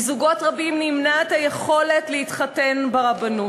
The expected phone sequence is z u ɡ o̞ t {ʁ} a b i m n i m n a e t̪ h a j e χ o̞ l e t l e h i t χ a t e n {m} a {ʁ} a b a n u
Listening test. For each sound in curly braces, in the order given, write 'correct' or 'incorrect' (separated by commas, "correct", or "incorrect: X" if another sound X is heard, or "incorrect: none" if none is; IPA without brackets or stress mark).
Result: correct, incorrect: b, correct